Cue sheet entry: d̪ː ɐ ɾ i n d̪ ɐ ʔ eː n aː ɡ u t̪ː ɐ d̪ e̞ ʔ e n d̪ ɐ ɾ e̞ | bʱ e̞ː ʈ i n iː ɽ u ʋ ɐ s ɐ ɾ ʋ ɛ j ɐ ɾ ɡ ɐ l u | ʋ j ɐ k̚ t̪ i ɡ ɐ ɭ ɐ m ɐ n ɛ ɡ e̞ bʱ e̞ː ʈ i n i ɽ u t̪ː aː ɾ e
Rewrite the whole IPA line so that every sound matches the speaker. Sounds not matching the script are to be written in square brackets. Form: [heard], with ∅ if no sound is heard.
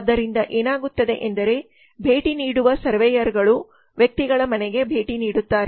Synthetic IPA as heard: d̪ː ɐ ɾ i n d̪ ɐ ʔ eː n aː ɡ u t̪ː ɐ d̪ e̞ ʔ e n d̪ ɐ ɾ e̞ | bʱ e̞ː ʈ i n iː ɽ u ʋ ɐ s ɐ ɾ ʋ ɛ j ɐ ɾ ɡ ɐ [ɭ] u | ʋ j ɐ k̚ t̪ i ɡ ɐ ɭ ɐ m ɐ n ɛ ɡ e̞ bʱ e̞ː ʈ i n [iː] ɽ u t̪ː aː ɾ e